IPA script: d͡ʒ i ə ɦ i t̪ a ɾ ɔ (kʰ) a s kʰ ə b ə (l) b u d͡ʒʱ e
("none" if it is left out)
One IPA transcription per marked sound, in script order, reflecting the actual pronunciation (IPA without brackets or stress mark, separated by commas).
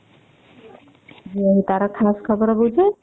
kʰ, ɾ